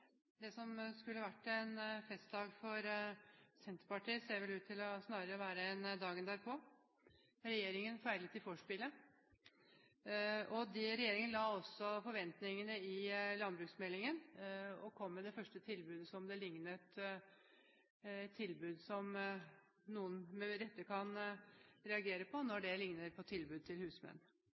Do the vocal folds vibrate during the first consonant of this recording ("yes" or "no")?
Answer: yes